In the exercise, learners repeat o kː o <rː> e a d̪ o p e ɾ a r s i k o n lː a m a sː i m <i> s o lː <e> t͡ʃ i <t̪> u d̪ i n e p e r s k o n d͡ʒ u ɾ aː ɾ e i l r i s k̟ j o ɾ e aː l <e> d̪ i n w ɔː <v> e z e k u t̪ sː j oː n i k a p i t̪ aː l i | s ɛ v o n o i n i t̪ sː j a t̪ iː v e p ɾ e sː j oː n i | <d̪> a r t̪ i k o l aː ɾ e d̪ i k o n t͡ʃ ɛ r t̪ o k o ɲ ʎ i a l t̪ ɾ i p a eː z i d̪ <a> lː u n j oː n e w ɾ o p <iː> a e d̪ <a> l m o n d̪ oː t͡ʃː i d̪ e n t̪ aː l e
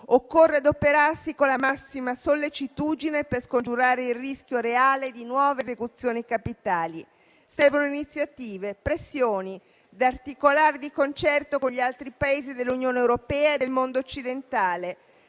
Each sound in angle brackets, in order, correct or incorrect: correct, incorrect: a, correct, correct, correct, correct, correct, incorrect: e, incorrect: ɛː, incorrect: e

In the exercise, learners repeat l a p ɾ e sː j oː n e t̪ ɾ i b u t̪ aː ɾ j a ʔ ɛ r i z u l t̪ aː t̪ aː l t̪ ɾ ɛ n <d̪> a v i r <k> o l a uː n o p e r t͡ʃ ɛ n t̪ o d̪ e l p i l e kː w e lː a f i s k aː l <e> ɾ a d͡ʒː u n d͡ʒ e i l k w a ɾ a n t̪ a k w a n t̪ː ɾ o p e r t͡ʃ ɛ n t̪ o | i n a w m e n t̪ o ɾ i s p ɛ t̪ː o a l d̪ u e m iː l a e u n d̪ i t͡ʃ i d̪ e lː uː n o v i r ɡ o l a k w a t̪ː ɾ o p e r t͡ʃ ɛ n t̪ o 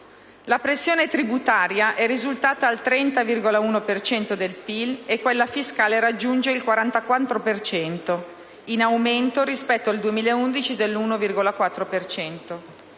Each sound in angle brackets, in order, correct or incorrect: incorrect: t̪, incorrect: ɡ, correct

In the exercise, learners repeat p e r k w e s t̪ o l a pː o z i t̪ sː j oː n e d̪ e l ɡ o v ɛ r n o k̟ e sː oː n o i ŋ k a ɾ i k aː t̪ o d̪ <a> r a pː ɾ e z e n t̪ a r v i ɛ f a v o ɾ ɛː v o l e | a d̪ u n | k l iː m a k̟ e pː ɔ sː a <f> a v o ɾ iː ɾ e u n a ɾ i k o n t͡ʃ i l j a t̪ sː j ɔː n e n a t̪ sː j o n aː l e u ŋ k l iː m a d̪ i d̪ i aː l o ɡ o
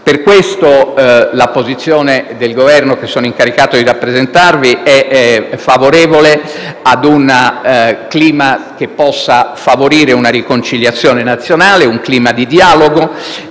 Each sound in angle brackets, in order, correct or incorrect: incorrect: i, correct

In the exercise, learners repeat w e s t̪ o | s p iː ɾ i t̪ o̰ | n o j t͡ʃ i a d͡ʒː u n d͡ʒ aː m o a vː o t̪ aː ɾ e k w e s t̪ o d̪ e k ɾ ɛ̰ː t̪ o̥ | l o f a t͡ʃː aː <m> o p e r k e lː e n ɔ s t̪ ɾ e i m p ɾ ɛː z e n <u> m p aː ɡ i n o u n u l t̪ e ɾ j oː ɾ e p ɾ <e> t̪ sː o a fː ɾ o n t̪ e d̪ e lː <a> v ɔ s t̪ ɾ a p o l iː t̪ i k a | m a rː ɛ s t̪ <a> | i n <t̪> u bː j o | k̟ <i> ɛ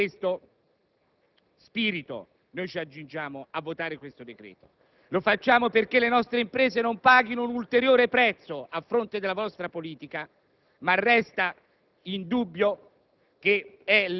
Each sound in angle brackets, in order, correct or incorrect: correct, incorrect: o, incorrect: ɛ, correct, correct, incorrect: d̪, incorrect: e

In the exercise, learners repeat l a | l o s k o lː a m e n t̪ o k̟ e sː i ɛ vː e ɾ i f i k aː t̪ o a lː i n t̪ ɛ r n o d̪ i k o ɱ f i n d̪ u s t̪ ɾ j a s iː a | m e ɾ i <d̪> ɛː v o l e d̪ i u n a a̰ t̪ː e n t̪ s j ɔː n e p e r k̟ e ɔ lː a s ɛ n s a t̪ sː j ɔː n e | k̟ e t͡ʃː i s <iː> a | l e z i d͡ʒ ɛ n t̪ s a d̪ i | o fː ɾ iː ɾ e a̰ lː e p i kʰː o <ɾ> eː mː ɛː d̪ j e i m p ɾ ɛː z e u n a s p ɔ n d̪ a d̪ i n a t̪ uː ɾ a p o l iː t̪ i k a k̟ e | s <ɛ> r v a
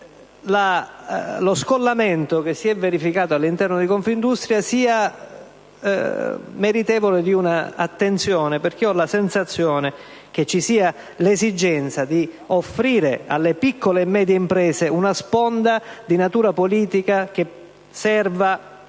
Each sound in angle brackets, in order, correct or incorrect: incorrect: t̪, correct, incorrect: l, correct

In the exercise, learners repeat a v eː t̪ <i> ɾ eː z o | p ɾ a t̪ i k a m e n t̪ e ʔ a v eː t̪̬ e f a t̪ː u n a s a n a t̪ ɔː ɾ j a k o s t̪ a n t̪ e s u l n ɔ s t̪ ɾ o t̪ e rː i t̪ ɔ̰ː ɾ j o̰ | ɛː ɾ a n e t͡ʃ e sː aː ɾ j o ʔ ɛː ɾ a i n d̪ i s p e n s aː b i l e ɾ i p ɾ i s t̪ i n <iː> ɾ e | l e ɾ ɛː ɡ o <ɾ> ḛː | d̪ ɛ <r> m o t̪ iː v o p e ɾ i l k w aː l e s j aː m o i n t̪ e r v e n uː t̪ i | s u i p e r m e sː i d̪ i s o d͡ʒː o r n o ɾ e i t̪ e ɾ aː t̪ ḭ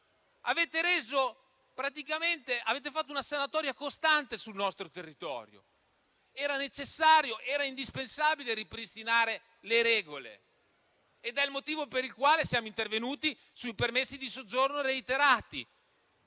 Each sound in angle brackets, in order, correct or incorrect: incorrect: e, incorrect: aː, incorrect: l, incorrect: l

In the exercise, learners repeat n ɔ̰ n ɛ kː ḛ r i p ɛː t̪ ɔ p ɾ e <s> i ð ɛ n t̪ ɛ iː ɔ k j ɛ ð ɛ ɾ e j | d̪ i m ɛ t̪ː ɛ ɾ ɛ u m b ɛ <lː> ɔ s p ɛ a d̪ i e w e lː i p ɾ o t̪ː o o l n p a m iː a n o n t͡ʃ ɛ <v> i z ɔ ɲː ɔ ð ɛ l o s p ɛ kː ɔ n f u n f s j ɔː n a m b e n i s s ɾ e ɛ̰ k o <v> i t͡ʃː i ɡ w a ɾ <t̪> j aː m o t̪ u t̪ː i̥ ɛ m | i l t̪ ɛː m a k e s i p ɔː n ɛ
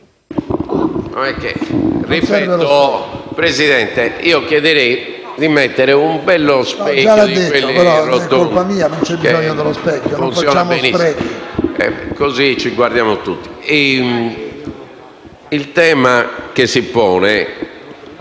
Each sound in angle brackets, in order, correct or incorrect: incorrect: z, correct, incorrect: b, incorrect: z, incorrect: d̪

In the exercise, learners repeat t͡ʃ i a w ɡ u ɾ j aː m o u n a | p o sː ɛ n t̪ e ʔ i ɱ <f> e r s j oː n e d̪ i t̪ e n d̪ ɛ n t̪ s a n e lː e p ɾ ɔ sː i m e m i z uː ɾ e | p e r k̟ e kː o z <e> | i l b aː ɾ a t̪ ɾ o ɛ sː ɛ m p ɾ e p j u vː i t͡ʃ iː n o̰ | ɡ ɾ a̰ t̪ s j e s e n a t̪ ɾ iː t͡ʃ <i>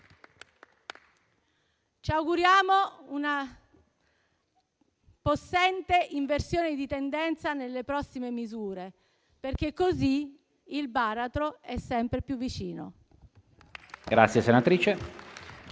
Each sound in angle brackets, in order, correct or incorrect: incorrect: v, incorrect: i, incorrect: e

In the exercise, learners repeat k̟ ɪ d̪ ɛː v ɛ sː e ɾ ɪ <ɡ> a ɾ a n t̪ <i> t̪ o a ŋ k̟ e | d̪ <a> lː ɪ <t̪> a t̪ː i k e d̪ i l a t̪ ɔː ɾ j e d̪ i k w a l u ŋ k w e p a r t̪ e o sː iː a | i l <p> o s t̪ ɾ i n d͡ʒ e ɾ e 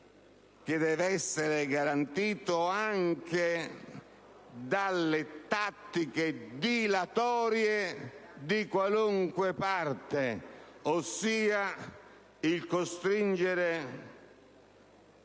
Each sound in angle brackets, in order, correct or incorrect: correct, incorrect: iː, correct, correct, incorrect: k

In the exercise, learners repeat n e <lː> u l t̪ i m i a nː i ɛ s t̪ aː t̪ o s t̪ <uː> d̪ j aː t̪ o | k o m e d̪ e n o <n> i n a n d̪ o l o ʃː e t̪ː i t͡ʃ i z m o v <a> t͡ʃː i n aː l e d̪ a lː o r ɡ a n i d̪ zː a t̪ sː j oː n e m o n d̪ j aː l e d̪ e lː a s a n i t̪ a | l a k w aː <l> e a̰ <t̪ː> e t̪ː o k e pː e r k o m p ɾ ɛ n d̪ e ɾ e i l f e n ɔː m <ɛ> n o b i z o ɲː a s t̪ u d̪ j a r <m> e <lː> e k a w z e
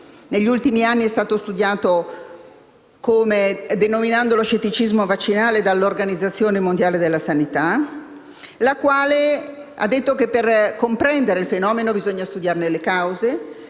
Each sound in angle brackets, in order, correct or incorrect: incorrect: ʎː, incorrect: u, incorrect: m, correct, correct, incorrect: d̪ː, incorrect: e, incorrect: n, incorrect: l

